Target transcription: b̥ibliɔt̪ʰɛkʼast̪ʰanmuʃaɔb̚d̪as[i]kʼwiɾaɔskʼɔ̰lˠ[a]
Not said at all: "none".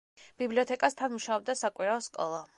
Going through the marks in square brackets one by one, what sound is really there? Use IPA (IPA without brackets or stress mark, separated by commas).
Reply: a, a